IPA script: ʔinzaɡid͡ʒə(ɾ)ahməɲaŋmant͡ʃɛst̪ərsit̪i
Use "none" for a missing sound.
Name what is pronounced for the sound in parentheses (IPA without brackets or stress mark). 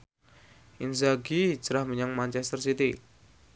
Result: ɾ